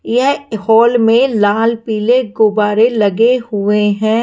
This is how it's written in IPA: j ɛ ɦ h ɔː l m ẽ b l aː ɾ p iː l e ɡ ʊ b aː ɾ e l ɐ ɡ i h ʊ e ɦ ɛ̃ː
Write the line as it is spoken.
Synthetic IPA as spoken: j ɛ ɦ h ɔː l m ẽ l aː l p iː l e ɡ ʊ b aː ɾ e l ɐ ɡ e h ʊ e ɦ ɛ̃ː